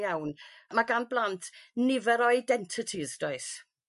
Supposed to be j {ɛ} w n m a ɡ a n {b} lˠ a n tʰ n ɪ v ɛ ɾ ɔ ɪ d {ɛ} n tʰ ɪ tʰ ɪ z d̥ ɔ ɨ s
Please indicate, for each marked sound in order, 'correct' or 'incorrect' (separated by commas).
incorrect, correct, correct